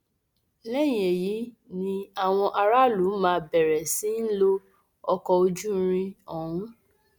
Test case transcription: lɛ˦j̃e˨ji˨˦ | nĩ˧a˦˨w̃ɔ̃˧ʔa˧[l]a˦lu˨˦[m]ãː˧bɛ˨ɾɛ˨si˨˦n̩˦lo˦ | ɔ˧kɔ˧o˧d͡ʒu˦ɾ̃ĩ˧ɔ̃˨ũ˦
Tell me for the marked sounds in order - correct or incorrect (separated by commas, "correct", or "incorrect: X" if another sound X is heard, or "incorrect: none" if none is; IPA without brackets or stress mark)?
incorrect: ɾ, correct